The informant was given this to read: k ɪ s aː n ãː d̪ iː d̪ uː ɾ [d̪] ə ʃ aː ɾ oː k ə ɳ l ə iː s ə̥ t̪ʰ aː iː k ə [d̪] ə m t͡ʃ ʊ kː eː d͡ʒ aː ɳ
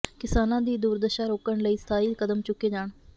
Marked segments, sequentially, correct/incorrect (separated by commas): correct, correct